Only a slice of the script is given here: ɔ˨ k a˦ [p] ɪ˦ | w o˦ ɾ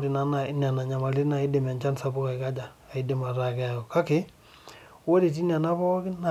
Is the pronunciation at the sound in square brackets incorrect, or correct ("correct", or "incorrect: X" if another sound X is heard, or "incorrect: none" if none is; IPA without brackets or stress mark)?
incorrect: k